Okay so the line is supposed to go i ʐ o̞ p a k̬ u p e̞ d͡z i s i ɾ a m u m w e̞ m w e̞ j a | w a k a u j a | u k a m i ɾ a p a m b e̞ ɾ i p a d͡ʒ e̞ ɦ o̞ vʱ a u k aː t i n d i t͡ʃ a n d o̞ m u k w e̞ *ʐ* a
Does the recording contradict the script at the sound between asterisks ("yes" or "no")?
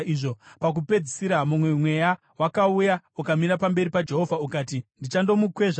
no